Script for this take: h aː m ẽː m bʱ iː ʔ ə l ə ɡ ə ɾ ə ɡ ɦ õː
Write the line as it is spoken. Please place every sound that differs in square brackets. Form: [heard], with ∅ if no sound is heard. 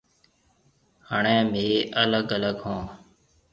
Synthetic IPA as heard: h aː [ɳ] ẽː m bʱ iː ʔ ə l ə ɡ ə [l] ə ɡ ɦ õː

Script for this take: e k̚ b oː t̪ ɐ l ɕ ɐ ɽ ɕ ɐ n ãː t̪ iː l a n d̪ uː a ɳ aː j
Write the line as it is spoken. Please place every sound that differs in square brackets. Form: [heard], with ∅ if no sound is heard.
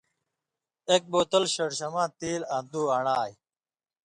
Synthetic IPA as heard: e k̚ b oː t̪ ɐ l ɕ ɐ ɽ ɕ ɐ [m] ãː t̪ iː l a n d̪ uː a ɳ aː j

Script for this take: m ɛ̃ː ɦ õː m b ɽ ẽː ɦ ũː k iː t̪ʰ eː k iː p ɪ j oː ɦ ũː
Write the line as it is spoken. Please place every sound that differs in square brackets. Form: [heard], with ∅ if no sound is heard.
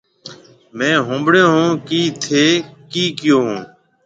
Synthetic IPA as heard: m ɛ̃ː ɦ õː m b ɽ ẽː ɦ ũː k iː t̪ʰ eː k iː [k] ɪ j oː ɦ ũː

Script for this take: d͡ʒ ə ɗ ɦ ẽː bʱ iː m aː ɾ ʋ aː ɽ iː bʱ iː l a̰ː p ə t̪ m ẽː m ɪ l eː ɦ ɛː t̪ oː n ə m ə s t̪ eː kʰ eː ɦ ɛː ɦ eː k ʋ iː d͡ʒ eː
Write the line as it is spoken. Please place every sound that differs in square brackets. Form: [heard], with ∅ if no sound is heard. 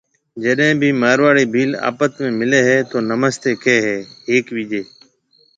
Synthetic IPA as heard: d͡ʒ ə ɗ ɦ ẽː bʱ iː m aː ɾ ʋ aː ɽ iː bʱ iː l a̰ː p ə t̪ m ẽː m ɪ l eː ɦ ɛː t̪ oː n ə m ə s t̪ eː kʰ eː ɦ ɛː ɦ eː k ʋ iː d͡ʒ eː

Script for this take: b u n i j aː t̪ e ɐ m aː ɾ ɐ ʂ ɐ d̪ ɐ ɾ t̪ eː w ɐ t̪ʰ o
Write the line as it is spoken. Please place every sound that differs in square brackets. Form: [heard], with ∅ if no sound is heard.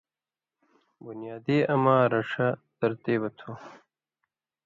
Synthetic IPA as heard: b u n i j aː [d̪] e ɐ m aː ɾ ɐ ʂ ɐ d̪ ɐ ɾ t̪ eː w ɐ t̪ʰ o

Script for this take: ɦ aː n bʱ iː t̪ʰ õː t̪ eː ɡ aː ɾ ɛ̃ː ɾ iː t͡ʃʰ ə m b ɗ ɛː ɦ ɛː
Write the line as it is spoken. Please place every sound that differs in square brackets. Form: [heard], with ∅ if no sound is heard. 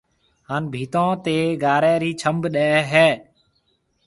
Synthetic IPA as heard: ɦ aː n bʱ iː [t̪] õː t̪ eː ɡ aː ɾ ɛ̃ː ɾ iː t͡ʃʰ ə m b ɗ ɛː ɦ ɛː

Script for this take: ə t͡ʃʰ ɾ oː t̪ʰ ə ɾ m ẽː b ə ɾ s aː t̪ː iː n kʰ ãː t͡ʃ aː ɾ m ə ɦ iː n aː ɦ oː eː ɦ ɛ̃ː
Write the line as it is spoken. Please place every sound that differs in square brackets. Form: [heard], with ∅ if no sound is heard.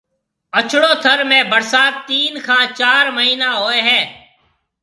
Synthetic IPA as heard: ə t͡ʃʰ [ɽ] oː t̪ʰ ə ɾ m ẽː b ə ɾ s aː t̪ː iː n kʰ ãː t͡ʃ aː ɾ m ə ɦ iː n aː ɦ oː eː ɦ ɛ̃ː

